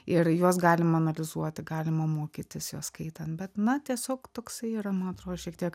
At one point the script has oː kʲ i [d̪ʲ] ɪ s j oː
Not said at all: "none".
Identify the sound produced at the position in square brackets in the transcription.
t̪ʲ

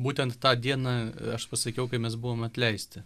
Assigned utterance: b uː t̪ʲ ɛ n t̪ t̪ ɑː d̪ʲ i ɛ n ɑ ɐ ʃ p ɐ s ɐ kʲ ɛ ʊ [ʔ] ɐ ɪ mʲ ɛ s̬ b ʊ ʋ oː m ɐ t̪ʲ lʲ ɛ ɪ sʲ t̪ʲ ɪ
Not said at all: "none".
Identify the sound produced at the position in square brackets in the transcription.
k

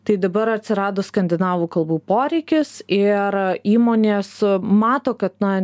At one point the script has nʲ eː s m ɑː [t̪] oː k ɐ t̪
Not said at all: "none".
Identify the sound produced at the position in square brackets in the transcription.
t̪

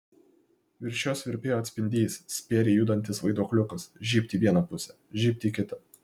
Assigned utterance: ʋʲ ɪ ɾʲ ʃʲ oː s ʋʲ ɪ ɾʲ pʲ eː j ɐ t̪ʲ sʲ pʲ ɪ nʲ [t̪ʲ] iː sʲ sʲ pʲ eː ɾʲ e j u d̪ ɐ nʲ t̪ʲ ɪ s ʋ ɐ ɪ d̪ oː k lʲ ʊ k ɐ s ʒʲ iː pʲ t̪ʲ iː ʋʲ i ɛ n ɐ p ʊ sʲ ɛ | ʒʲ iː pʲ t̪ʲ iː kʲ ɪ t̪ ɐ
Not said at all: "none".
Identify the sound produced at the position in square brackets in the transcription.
d̪ʲ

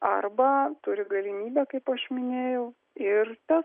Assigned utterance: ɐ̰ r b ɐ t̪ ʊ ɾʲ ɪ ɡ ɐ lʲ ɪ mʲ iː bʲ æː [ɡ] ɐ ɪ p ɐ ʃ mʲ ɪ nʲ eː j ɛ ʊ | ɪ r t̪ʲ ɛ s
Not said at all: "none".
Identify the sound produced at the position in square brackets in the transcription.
k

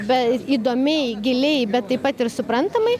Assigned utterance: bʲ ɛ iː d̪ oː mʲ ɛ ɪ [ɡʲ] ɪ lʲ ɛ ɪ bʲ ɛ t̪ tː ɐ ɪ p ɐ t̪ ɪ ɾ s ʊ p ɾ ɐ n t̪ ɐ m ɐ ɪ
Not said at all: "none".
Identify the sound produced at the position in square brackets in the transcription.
ɡʲ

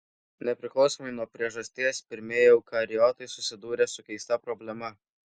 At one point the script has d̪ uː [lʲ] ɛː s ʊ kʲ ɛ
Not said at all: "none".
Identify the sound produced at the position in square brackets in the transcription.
ɾʲ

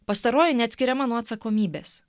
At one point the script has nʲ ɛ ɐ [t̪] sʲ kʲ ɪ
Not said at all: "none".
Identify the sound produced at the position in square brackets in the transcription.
t̪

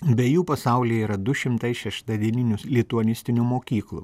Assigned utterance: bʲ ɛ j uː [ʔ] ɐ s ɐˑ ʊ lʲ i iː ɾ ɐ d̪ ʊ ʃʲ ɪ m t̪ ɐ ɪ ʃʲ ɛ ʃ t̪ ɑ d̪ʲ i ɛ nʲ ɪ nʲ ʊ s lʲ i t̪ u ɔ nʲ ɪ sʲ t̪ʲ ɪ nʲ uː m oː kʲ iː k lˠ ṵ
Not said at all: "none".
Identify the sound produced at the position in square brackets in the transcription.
p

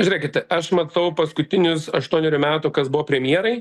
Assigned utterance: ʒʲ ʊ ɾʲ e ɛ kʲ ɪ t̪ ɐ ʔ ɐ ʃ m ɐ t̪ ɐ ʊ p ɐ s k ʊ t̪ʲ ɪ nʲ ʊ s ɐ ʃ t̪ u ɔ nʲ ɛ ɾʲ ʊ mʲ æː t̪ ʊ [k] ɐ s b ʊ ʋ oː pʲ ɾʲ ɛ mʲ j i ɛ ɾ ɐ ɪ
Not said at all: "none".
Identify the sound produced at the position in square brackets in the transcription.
k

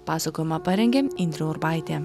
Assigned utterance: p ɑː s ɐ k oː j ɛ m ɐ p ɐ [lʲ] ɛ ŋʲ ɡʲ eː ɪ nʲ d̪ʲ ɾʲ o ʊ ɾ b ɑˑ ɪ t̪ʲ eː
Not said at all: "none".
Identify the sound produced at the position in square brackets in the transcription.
ɾʲ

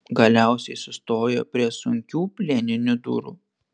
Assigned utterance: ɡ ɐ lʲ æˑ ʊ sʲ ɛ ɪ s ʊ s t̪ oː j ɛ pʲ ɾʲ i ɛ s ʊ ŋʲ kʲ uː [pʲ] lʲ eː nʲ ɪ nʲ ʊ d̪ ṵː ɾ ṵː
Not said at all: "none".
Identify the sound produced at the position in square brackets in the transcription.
pʲ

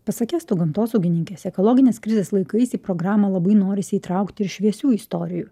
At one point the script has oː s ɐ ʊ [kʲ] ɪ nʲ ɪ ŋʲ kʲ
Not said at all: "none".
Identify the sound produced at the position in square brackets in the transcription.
ɡʲ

